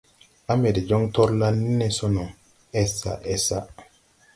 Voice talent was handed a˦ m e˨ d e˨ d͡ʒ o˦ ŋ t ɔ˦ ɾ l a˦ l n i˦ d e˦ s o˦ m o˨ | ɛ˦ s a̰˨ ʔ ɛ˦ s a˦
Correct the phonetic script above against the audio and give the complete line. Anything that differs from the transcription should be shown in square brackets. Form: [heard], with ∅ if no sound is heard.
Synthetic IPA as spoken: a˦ m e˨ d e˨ d͡ʒ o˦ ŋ t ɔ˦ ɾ l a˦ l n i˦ [n] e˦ s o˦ [n] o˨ | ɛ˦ s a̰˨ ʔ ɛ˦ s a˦